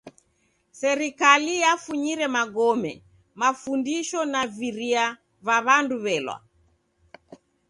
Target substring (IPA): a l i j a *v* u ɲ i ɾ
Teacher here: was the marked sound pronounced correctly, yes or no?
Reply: no